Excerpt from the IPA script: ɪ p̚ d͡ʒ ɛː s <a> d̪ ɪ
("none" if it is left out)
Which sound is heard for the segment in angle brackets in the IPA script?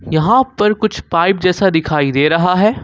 a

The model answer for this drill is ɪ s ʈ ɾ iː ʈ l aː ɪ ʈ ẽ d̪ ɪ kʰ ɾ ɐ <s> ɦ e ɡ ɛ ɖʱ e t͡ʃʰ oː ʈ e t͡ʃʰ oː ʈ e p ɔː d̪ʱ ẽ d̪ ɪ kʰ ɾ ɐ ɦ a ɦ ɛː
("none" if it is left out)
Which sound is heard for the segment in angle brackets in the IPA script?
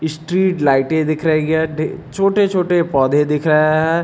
none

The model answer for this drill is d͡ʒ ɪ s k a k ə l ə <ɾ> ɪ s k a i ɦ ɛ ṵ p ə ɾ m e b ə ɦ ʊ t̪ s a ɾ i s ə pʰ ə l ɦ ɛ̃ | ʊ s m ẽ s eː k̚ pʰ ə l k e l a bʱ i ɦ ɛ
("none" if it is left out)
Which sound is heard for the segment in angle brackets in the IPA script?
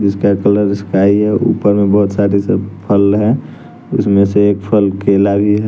ɾ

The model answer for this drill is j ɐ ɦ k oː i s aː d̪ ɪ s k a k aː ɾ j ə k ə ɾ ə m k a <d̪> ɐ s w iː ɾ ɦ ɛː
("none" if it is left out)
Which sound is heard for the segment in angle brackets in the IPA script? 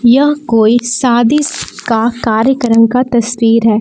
t̪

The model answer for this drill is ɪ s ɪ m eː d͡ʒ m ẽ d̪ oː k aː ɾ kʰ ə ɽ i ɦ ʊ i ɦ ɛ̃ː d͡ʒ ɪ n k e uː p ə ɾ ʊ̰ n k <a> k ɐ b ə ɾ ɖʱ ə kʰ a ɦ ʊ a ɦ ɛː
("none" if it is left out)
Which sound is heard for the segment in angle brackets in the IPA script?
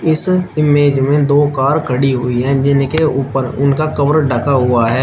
a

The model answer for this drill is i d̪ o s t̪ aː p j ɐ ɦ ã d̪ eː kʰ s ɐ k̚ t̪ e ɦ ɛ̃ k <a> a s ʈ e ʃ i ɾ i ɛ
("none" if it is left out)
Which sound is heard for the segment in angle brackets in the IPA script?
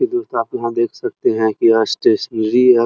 i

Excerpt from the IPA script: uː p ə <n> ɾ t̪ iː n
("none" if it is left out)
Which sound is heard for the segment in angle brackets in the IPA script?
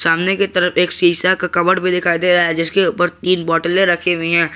none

